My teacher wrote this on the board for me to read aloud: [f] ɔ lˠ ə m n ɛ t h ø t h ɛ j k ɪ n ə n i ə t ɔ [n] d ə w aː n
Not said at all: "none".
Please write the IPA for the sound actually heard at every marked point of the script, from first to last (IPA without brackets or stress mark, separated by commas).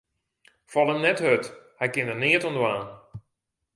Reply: f, n